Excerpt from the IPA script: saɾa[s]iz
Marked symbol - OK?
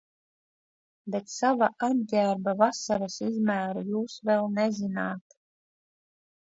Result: yes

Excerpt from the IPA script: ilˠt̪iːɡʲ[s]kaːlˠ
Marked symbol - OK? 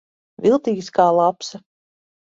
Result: yes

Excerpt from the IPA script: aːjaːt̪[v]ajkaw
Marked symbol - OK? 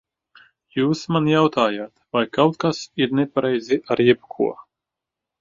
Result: yes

